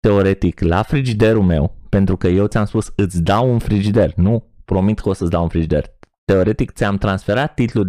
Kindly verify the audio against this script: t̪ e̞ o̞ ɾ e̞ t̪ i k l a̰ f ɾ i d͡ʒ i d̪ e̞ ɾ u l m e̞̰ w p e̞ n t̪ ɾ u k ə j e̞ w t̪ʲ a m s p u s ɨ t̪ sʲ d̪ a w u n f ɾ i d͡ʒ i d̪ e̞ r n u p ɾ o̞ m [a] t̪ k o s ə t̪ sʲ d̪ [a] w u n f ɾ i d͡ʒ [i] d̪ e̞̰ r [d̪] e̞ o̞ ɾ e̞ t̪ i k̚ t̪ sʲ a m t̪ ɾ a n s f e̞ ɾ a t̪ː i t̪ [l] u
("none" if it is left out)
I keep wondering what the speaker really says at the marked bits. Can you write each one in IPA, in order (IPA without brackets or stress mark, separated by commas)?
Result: i, a, i, t̪, l